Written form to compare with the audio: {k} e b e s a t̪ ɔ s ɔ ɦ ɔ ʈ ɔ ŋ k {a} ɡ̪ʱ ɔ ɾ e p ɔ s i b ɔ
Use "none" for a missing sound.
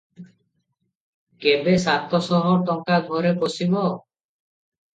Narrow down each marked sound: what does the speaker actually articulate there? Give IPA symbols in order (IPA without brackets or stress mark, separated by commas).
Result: k, a